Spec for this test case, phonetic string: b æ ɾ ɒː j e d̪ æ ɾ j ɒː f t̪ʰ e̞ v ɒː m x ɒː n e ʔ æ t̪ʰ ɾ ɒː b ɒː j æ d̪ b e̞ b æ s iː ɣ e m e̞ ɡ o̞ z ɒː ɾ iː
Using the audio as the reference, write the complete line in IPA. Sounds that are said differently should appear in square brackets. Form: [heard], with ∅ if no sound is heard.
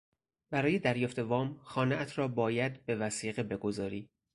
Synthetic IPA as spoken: b æ ɾ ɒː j e d̪ æ ɾ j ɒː f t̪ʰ e̞ v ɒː m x ɒː n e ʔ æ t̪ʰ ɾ ɒː b ɒː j æ d̪ b e̞ [v] æ s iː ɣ e [b] e̞ ɡ o̞ z ɒː ɾ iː

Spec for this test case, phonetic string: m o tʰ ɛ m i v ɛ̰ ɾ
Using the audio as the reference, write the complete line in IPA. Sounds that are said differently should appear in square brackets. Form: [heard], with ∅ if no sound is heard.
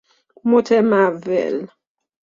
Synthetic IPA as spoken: m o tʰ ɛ m [a] v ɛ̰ [l]

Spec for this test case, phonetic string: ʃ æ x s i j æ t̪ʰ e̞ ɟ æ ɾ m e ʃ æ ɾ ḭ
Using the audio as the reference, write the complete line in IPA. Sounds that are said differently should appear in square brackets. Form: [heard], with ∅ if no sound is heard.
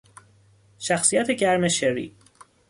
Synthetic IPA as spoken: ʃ æ x s i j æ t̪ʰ e̞ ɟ æ ɾ m e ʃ [e] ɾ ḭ

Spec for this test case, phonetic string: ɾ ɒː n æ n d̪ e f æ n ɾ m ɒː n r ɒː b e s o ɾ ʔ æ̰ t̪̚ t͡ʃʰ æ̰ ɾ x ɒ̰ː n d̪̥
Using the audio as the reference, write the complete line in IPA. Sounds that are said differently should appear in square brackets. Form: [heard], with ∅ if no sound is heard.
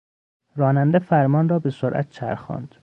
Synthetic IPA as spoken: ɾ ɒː n æ n d̪ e f æ [∅] ɾ m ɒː n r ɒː b e s o ɾ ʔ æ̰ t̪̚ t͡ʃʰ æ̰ ɾ x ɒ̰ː n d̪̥

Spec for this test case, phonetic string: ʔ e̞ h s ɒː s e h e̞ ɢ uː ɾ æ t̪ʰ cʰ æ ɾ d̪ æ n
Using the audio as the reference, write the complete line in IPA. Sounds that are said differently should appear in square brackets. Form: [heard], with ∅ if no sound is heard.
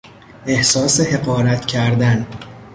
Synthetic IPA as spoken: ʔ e̞ h s ɒː s e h e̞ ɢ [ɒː] ɾ æ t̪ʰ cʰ æ ɾ d̪ æ n

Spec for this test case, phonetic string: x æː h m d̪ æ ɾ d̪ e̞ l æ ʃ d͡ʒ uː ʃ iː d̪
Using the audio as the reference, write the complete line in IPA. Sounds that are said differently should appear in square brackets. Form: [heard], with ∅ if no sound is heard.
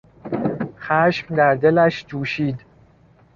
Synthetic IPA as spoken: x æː [ʃ] m d̪ æ ɾ d̪ e̞ l æ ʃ d͡ʒ uː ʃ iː d̪

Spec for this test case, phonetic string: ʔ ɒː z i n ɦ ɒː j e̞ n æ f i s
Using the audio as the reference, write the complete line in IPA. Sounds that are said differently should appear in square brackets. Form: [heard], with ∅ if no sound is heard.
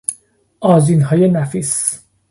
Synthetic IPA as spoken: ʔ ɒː z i n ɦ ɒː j e̞ n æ f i s

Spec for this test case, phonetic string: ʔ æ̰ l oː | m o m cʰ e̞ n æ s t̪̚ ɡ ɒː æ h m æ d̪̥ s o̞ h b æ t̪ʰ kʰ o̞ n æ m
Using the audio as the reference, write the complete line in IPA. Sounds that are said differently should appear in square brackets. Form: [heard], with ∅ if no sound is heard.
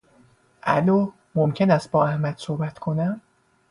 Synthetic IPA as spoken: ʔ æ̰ l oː | m o m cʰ e̞ n æ s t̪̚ [b] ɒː æ h m æ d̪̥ s o̞ h b æ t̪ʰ kʰ o̞ n æ m

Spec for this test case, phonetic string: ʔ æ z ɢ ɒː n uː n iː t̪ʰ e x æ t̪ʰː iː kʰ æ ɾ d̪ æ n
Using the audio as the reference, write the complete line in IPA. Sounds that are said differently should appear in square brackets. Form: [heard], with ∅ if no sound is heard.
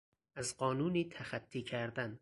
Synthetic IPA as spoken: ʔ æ z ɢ ɒː n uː n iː t̪ʰ [æ] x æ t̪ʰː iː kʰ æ ɾ d̪ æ n

